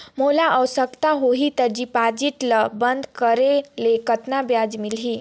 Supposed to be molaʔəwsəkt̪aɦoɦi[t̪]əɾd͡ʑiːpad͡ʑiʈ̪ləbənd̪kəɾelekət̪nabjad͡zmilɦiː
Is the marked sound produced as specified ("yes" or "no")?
yes